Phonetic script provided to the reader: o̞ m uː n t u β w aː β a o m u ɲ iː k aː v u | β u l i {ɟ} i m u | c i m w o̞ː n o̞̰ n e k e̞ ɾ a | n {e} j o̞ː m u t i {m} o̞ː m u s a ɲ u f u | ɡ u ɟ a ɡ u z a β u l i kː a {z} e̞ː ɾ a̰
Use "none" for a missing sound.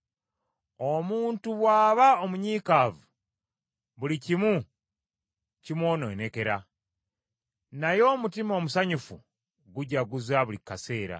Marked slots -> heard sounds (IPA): c, a, m, s

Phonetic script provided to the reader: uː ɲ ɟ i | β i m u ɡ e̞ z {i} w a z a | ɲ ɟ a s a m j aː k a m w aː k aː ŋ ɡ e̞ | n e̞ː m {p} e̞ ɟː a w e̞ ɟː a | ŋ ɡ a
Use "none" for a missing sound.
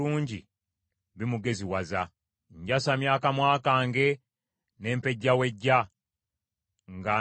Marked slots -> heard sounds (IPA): i, p

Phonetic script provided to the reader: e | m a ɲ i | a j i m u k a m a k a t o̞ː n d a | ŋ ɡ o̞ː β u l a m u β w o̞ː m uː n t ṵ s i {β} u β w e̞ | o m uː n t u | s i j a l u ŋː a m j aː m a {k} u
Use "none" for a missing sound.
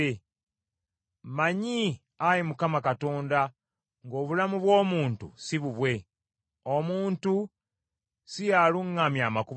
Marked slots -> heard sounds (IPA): β, k

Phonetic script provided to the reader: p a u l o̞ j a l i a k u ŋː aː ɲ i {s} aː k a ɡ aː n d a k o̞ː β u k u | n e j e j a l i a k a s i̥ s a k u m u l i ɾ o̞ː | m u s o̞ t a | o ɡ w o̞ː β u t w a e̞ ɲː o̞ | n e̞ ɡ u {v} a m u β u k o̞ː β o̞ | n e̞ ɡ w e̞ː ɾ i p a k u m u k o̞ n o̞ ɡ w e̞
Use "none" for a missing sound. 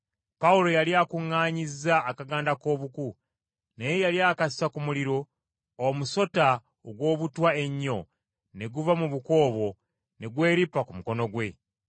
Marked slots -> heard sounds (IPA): z, v

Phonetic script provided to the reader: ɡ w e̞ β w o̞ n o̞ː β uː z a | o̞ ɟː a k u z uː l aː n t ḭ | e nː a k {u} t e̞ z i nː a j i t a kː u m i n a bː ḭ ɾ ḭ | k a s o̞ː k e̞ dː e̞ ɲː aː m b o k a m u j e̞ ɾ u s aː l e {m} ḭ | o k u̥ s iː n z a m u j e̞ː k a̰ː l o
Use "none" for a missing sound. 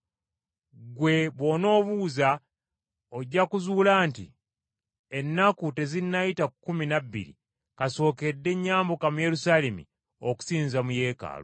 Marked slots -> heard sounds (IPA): u, m

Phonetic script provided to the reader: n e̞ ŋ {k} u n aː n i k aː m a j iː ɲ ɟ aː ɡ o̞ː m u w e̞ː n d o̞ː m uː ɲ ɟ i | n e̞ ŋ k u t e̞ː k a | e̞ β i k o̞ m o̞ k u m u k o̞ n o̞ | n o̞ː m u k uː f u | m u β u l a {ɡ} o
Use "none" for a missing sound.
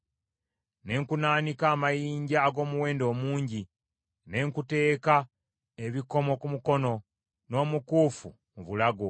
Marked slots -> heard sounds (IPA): k, ɡ

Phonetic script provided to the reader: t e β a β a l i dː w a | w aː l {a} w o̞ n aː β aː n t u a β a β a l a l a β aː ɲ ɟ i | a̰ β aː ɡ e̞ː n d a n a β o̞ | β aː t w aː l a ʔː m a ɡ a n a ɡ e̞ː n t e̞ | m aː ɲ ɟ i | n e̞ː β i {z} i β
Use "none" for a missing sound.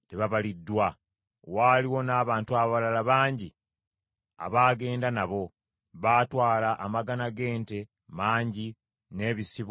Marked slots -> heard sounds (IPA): i, s

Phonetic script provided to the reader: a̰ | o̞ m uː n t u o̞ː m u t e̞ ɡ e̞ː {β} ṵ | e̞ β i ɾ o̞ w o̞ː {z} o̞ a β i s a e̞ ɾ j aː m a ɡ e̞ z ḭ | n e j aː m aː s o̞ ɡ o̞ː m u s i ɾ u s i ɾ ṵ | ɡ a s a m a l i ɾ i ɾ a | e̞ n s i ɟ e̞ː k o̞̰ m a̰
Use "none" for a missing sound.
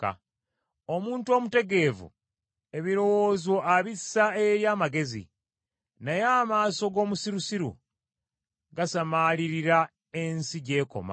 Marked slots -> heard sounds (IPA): v, z

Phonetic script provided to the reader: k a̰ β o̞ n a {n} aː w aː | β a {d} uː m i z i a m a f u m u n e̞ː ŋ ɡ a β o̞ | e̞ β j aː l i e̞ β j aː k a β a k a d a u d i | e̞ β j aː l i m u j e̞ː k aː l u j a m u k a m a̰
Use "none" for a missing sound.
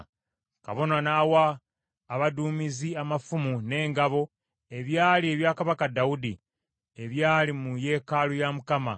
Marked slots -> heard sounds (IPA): n, d

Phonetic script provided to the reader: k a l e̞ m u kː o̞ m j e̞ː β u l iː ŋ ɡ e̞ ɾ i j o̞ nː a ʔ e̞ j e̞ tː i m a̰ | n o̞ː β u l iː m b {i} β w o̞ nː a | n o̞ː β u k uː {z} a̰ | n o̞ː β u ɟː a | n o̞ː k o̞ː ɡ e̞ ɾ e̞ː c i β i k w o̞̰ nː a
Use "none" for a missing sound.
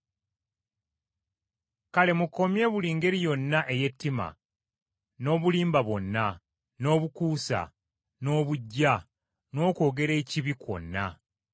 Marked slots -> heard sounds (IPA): a, s

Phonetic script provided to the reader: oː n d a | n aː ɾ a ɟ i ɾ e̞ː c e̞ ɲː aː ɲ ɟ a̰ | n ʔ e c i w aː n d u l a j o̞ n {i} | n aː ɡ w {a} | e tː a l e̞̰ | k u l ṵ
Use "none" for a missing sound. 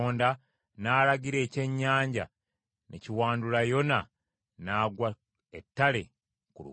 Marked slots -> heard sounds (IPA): a, a

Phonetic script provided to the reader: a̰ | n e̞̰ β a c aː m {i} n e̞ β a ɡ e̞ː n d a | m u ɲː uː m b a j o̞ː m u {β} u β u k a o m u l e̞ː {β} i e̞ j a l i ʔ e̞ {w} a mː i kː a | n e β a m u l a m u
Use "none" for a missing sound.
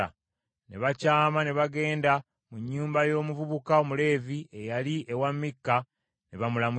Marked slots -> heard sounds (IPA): a, v, v, w

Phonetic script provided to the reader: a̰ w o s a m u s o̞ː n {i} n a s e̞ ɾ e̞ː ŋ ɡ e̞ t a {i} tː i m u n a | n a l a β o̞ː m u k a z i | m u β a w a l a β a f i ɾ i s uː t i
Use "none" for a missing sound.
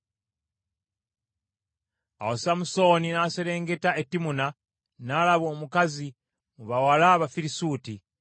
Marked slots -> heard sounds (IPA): i, e

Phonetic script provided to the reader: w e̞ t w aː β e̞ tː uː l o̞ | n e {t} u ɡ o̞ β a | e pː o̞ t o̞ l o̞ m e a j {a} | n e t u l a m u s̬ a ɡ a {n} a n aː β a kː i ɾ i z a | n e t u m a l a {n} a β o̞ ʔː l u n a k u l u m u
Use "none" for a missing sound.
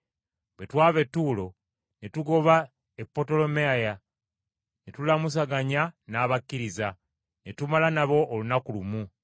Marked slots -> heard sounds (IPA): t, a, ɲ, n

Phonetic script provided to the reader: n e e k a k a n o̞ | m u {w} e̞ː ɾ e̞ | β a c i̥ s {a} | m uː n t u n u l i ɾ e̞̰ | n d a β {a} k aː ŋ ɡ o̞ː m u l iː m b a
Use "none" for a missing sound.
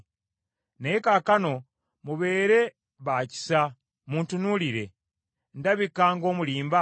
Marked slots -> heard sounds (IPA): β, a, i

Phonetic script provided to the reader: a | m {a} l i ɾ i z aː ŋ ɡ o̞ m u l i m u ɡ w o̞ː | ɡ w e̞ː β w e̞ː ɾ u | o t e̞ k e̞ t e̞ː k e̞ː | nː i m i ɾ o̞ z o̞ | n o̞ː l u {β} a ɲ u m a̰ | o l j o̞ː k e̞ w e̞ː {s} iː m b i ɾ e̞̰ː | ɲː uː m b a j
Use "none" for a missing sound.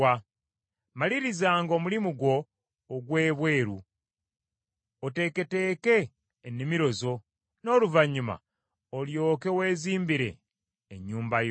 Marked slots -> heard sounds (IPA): a, v, z

